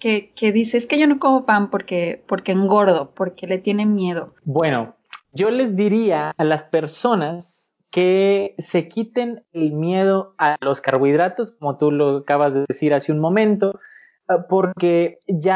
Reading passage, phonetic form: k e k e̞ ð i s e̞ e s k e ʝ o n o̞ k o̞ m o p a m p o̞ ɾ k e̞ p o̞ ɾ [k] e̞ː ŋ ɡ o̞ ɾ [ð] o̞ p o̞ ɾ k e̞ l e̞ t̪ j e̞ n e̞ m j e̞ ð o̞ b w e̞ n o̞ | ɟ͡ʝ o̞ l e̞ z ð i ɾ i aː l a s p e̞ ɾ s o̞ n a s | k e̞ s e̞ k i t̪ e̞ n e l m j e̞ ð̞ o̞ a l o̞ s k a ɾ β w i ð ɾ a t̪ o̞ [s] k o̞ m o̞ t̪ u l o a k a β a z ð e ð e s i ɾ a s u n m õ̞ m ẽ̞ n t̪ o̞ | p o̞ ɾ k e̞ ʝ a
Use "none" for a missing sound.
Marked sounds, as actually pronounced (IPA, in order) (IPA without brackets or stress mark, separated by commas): k, ð, s